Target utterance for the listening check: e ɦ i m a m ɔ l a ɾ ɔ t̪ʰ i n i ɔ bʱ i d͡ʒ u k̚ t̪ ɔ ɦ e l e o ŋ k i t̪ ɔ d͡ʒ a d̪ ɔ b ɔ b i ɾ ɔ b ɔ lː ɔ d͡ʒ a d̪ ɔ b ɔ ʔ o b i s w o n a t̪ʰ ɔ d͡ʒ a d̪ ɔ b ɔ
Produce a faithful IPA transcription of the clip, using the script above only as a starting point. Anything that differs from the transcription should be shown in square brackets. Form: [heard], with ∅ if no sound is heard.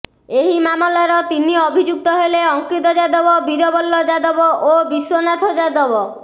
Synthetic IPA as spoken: e ɦ i m a m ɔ l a ɾ ɔ [t̪] i n i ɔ bʱ i d͡ʒ u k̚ t̪ ɔ ɦ e l e [ɔ] ŋ k i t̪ ɔ d͡ʒ a d̪ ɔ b ɔ b i ɾ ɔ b ɔ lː ɔ d͡ʒ a d̪ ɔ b ɔ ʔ o b i s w o n a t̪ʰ ɔ d͡ʒ a d̪ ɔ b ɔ